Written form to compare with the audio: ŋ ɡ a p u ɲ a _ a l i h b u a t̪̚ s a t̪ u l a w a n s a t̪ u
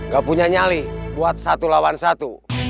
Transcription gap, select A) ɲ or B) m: A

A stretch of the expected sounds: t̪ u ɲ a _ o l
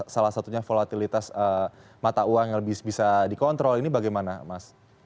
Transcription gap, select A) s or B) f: B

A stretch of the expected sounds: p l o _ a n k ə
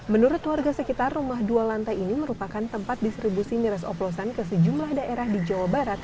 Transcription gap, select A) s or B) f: A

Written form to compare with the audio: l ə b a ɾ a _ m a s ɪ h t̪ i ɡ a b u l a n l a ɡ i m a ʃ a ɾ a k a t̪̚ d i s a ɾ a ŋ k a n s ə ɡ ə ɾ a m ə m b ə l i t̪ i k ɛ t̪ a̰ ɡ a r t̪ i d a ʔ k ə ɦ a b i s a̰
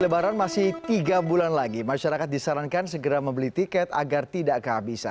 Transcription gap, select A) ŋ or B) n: B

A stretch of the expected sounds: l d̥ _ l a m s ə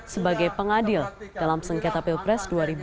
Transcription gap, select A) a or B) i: A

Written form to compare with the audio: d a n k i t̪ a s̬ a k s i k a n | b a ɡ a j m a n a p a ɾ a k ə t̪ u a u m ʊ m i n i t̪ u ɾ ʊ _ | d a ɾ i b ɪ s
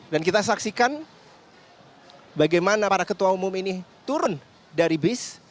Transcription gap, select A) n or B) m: A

